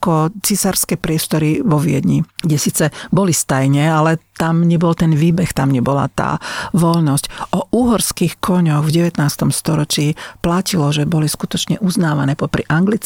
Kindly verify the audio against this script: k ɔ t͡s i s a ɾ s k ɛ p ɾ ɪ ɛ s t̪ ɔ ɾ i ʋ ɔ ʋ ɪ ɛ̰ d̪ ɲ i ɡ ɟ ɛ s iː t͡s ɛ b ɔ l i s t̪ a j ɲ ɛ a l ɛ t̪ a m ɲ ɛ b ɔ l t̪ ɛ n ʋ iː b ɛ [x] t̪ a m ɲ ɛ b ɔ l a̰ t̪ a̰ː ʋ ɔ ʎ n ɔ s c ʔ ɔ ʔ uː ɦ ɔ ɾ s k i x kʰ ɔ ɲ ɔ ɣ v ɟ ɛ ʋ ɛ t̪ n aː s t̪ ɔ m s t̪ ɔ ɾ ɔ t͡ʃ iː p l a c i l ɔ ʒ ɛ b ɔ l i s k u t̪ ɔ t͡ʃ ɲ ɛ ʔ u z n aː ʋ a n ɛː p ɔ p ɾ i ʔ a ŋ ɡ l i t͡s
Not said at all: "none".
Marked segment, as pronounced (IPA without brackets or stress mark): x